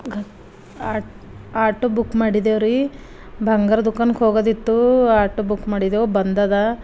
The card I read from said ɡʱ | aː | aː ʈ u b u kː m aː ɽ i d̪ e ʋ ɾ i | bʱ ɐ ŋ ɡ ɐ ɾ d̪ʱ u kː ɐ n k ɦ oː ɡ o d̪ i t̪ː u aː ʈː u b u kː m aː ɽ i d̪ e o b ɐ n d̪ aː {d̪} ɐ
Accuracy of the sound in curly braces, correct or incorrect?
correct